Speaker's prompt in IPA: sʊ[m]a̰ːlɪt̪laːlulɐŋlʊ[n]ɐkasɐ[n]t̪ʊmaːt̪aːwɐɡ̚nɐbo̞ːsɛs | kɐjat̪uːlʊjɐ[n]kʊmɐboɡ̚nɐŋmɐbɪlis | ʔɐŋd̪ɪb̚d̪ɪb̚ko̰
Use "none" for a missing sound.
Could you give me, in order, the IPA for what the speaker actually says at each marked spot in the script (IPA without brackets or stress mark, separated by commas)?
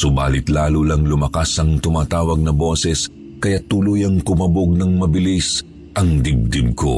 b, m, ŋ, ŋ